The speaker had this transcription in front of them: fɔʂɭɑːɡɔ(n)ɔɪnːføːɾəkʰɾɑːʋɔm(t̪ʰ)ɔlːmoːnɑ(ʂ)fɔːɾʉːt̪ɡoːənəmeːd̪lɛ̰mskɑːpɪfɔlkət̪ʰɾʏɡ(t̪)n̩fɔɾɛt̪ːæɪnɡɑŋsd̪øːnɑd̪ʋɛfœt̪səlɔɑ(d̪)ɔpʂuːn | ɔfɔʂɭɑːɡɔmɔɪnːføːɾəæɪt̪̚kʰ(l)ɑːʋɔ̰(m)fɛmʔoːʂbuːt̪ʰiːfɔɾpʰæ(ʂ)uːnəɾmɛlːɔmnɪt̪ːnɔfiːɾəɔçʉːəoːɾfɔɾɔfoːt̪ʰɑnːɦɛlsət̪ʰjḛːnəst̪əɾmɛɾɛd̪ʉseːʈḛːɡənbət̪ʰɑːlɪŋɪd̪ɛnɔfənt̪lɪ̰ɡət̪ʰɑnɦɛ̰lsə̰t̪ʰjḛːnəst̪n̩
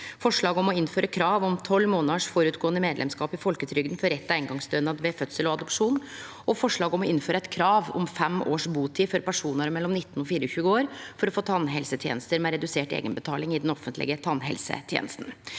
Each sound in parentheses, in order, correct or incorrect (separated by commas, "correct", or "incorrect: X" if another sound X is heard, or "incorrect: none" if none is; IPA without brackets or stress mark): incorrect: m, correct, correct, incorrect: d̪, correct, incorrect: ɾ, correct, correct